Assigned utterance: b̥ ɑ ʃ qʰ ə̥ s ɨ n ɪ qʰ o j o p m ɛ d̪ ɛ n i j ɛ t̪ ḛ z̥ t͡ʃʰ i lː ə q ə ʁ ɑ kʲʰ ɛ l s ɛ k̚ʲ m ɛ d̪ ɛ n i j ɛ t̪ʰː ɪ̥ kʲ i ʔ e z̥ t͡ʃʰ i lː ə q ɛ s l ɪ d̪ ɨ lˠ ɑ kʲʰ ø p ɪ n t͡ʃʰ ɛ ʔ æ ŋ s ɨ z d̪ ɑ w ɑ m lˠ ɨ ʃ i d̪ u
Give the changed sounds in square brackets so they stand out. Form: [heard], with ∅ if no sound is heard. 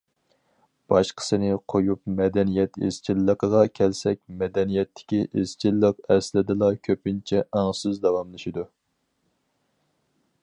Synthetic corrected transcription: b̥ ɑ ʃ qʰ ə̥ s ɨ n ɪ qʰ o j [u] p m ɛ d̪ ɛ n i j ɛ t̪ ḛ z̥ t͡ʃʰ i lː ə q ə ʁ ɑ kʲʰ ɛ l s ɛ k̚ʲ m ɛ d̪ ɛ n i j ɛ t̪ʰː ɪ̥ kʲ i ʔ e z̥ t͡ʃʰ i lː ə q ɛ s l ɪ d̪ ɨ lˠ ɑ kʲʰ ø p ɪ n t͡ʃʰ ɛ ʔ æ ŋ s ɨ z d̪ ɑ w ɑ m lˠ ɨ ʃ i d̪ u